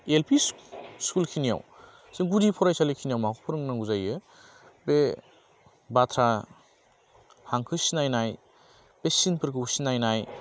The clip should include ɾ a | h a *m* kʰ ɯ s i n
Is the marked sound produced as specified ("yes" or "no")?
no